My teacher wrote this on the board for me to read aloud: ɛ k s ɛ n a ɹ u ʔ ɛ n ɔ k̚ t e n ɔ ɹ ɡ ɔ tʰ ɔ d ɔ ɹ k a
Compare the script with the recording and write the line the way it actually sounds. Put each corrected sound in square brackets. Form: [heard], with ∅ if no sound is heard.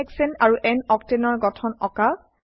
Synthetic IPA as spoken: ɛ k s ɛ n a ɹ u ʔ ɛ n ɔ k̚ t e n ɔ ɹ ɡ ɔ tʰ ɔ [n] ɔ [∅] k a